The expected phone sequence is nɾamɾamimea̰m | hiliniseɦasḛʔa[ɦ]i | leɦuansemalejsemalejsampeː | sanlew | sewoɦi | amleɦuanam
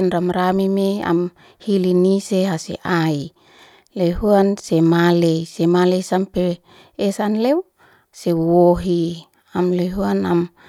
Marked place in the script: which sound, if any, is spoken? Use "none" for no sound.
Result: none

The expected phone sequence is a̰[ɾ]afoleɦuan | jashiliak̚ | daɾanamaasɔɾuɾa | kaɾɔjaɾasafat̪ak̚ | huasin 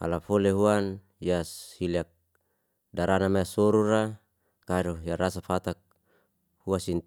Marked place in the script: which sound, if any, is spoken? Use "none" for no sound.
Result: l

